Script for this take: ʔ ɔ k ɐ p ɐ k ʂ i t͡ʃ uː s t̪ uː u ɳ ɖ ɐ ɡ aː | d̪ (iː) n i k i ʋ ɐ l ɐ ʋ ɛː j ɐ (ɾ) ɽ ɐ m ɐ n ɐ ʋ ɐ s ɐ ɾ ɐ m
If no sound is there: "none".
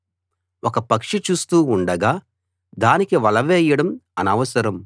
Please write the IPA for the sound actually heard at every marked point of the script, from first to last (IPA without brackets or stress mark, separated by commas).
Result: aː, none